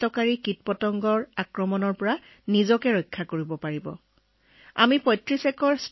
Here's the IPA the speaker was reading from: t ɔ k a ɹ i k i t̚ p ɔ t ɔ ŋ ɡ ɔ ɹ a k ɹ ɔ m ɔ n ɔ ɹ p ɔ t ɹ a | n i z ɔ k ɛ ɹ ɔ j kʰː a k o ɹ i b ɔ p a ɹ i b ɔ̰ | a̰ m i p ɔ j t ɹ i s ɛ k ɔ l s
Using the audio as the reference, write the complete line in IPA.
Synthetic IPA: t ɔ k a ɹ i k i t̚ p ɔ t ɔ ŋ ɡ ɔ ɹ a k ɹ ɔ m ɔ n ɔ ɹ p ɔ ɹ a | n i z ɔ k ɛ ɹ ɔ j kʰː a k o ɹ i b ɔ p a ɹ i b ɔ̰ | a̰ m i p ɔ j t ɹ i s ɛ k ɔ ɹ s